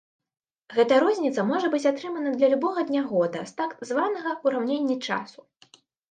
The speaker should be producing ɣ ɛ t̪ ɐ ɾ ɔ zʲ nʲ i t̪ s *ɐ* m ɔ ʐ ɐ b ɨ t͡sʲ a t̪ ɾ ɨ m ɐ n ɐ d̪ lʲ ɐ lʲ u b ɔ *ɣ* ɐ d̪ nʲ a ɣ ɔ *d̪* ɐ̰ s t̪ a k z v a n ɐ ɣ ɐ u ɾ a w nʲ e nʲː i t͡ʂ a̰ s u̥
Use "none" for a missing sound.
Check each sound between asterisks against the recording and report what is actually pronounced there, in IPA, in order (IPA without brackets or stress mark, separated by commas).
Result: ɐ, ɣ, d̪